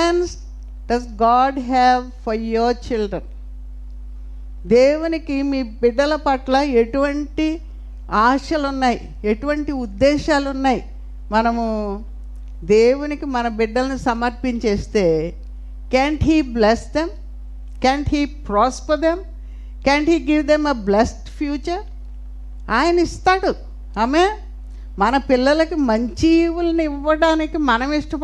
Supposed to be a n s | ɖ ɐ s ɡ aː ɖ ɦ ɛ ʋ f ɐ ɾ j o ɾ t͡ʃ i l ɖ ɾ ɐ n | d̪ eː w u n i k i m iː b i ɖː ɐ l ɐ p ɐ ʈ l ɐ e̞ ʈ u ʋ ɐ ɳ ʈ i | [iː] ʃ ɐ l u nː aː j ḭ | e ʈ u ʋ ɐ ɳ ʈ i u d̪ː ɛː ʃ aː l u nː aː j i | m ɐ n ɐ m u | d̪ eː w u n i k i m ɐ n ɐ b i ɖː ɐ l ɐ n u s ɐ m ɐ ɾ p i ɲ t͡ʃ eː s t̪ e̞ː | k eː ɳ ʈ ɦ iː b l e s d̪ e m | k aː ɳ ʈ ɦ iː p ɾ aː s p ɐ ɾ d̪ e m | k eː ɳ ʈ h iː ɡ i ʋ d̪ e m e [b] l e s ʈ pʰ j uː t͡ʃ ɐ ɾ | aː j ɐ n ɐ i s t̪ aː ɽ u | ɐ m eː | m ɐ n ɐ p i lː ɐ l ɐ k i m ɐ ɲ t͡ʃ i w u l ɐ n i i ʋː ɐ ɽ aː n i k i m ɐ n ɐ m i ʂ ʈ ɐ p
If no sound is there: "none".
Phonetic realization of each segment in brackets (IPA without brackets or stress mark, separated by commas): aː, b